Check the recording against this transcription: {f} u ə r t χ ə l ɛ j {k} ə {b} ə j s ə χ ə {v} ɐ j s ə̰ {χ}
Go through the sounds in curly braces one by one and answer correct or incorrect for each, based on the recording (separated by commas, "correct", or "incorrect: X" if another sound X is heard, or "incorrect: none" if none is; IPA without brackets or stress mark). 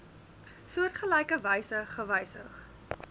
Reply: incorrect: s, correct, incorrect: v, correct, correct